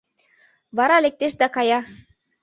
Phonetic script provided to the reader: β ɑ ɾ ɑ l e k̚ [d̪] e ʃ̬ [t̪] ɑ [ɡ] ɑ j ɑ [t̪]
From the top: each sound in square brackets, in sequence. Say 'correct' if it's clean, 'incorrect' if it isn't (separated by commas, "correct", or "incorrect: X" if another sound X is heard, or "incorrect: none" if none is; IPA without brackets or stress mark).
incorrect: t̪, incorrect: d̪, incorrect: k, incorrect: none